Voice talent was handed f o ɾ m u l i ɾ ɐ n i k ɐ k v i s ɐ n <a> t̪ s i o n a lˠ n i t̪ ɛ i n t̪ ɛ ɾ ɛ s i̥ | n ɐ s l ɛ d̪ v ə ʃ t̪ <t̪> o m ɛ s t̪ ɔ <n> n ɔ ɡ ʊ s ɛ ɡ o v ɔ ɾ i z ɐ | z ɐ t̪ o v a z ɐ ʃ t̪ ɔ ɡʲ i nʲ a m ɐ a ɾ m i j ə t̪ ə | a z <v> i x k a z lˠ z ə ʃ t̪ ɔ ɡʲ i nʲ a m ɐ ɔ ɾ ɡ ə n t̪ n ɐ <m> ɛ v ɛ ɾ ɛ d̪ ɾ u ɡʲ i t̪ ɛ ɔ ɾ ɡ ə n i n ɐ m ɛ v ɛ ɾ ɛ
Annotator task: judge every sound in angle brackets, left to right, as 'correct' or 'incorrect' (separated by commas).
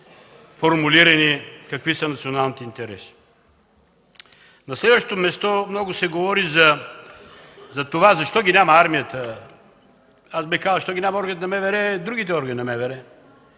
incorrect, correct, incorrect, incorrect, correct